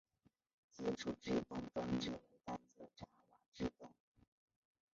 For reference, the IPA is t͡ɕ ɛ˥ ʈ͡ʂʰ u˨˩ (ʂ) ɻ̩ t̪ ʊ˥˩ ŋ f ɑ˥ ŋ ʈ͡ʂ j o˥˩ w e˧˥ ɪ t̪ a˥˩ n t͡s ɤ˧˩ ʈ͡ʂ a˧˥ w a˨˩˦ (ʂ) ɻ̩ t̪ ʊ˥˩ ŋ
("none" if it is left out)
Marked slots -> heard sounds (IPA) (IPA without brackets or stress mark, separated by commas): ʈ͡ʂ, ʈ͡ʂ